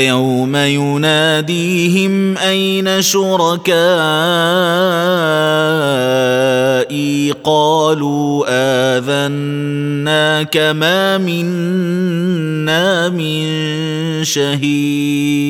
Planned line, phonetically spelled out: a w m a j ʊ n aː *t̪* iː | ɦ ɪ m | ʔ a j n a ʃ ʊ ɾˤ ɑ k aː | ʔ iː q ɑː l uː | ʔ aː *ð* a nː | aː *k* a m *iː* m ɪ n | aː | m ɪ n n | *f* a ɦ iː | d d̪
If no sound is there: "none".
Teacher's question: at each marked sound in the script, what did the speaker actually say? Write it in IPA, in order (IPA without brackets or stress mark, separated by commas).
d̪, ð, k, aː, ʃ